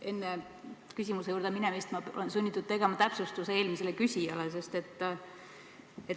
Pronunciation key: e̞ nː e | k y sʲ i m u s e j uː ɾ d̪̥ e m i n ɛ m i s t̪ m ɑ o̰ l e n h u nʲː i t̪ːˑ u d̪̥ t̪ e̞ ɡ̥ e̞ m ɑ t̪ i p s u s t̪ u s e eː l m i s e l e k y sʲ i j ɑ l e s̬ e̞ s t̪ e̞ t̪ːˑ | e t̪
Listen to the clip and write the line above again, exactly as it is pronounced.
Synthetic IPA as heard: e̞ nː e | k y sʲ i m u s e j uː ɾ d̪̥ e m i n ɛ m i s t̪ m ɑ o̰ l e n s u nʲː i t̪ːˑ u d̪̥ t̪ e̞ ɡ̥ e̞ m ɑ t̪ æ p s u s t̪ u s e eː l m i s e l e k y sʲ i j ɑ l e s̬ e̞ s t̪ e̞ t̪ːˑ | e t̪